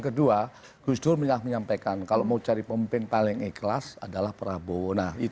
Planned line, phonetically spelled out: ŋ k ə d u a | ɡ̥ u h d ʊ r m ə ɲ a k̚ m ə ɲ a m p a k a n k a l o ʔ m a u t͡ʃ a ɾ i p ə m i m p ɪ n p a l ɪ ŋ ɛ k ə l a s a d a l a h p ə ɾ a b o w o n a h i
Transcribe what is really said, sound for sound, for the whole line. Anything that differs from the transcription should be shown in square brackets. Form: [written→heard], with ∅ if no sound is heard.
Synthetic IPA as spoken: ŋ k ə d u a | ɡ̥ u [h→s] d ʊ r m ə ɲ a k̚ m ə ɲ a m p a k a n k a l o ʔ m a u t͡ʃ a ɾ i p ə m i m p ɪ n p a l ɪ ŋ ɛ k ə l a s a d a l a h p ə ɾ a b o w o n a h i